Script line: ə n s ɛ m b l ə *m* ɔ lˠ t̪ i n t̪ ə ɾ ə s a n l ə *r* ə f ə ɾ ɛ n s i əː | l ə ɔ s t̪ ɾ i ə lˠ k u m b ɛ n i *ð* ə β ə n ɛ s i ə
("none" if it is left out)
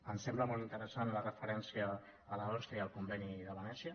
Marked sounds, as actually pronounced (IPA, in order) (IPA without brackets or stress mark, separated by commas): m, r, ð